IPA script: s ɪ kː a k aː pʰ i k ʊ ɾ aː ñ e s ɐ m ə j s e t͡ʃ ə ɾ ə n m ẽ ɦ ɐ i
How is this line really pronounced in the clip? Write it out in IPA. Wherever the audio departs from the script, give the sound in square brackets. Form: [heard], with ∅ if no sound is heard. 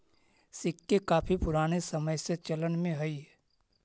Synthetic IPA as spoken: s ɪ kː [e] k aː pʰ i [p] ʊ ɾ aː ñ e s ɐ m ə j s e t͡ʃ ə [l] ə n m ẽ ɦ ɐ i